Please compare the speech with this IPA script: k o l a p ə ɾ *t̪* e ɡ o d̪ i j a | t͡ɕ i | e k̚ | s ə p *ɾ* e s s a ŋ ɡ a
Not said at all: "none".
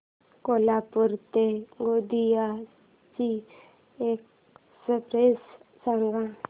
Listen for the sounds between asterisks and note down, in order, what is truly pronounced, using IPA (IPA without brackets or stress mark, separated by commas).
t̪, ɾ